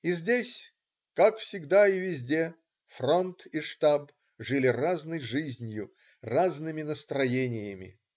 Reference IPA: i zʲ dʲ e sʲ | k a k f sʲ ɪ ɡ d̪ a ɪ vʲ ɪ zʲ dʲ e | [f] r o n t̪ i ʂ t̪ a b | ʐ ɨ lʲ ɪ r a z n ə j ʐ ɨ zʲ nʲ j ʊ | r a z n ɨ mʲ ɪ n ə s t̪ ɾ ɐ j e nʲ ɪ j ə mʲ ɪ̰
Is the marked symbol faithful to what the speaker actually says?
yes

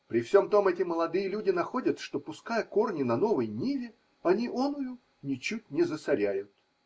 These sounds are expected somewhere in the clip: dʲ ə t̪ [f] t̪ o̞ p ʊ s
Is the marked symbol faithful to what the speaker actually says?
no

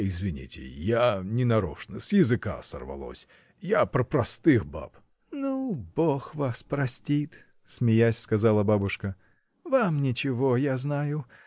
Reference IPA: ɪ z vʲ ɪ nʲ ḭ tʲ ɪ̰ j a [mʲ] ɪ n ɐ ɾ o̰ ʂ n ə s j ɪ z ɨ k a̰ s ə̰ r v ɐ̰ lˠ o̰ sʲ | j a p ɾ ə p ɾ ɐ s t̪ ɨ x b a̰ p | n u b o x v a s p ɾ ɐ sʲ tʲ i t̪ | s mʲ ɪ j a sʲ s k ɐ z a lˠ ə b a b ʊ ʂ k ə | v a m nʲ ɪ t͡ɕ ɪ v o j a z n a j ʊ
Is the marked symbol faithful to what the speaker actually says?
no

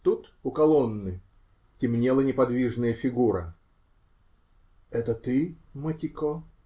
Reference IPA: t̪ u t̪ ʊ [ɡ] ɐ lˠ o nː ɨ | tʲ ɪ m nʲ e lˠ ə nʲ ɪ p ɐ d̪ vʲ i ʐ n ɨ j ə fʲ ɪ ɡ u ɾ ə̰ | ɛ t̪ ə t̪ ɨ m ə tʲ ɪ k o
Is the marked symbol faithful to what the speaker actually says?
no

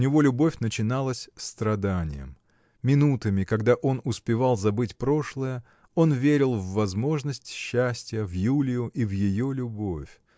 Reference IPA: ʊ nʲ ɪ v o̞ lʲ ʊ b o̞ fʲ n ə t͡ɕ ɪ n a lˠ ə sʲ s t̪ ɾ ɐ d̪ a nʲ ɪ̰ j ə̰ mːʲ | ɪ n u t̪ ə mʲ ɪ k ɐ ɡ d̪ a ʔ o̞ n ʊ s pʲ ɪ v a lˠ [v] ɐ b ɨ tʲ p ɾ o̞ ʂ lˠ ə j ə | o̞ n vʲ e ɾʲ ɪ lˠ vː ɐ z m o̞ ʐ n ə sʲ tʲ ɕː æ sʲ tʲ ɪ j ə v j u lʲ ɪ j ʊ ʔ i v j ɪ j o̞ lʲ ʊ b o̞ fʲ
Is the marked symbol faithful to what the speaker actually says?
no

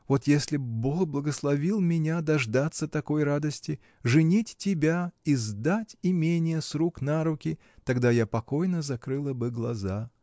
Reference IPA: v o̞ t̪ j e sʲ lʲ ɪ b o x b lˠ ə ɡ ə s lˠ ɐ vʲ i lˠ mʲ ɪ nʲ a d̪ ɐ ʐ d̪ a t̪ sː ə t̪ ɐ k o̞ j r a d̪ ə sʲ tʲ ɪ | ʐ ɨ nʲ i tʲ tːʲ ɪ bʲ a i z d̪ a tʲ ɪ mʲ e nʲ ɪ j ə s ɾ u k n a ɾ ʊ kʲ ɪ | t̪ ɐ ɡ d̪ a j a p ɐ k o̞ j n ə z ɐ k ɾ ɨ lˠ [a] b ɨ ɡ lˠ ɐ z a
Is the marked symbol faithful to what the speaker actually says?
no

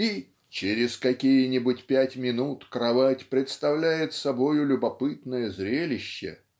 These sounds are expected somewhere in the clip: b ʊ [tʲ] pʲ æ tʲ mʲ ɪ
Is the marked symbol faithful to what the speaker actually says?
yes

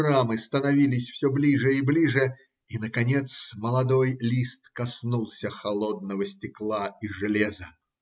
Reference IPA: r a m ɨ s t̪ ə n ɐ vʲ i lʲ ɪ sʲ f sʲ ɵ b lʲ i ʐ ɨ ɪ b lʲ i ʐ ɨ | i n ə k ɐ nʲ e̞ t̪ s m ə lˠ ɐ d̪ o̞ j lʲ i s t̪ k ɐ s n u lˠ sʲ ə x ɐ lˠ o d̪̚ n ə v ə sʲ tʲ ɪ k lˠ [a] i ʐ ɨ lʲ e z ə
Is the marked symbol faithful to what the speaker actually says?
yes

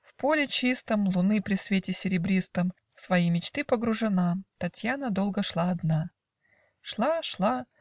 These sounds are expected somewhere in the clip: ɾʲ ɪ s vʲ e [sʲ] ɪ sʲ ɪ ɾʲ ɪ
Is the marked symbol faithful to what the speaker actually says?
no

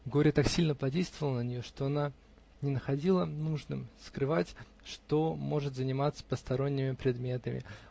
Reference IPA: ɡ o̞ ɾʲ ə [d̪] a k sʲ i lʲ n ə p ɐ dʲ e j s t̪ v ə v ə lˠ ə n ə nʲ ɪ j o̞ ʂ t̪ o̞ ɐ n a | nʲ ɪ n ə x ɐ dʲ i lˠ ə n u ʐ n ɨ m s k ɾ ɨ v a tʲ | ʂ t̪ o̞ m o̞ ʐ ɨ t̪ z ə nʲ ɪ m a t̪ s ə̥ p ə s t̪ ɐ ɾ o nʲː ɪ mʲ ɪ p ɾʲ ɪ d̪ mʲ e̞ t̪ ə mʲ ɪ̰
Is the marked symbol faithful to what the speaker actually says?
no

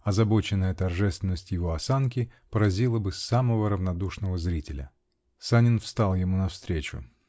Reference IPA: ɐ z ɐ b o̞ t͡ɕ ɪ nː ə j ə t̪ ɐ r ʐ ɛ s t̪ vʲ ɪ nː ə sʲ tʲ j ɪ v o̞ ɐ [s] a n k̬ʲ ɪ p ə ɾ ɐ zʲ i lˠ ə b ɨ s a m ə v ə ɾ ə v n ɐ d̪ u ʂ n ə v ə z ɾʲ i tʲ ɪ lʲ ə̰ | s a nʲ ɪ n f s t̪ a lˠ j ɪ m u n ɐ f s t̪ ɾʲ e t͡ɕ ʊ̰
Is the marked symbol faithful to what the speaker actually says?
yes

